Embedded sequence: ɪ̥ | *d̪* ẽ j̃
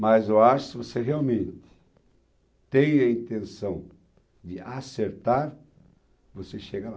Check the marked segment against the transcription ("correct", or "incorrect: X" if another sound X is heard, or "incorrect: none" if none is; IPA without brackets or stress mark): incorrect: t̪